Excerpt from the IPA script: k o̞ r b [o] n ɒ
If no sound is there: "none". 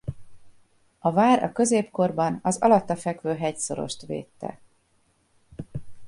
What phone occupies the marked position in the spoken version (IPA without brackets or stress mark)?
ɒ